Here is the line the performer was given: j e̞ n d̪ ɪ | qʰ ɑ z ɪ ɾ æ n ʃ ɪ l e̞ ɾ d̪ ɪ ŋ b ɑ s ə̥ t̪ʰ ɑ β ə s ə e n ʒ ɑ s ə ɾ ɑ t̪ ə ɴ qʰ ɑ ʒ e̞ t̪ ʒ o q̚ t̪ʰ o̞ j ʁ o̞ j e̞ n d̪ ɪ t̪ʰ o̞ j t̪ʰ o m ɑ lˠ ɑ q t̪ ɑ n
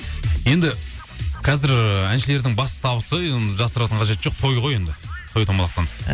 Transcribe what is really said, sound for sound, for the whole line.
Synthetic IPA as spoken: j e̞ n d̪ ɪ | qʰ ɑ z ɪ ɾ æ n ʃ ɪ l e̞ ɾ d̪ ɪ ŋ b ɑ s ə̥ t̪ʰ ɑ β ə s ə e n ʒ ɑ s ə ɾ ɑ t̪ ə ɴ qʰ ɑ ʒ e̞ t̪ ʒ o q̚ t̪ʰ o̞ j ʁ o̞ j e̞ n d̪ ɪ t̪ʰ o̞ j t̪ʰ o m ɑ lˠ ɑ q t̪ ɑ n